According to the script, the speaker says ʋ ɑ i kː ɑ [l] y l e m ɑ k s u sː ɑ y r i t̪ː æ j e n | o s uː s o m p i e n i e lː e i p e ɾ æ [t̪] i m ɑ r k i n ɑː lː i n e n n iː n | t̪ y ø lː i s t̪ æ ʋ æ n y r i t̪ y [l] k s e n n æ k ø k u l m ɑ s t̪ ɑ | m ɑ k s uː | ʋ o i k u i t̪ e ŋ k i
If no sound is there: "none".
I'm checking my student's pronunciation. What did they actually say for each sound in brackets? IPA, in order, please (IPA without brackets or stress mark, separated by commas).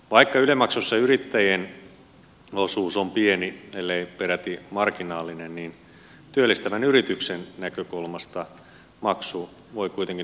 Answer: none, t̪, none